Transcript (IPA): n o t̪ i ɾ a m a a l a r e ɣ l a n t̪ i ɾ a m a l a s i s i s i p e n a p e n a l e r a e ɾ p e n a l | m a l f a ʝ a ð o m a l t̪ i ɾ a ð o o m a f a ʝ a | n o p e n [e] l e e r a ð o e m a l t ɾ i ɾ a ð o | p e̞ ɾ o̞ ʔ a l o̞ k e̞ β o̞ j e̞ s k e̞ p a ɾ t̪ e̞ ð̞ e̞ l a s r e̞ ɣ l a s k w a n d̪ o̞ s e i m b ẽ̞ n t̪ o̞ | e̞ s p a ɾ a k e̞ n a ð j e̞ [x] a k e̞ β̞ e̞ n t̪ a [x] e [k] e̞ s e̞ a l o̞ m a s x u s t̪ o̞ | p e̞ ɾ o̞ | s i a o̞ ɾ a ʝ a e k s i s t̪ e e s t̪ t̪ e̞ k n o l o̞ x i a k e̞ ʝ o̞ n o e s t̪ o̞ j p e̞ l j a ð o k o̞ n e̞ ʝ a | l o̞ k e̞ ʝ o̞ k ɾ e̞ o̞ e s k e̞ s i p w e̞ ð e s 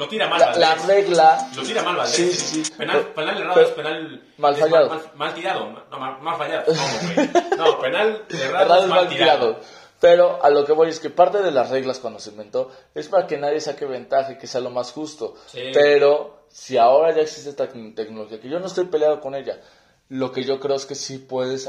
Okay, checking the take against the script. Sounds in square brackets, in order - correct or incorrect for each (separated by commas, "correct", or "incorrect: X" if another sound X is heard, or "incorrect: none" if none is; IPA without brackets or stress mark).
incorrect: a, incorrect: s, correct, correct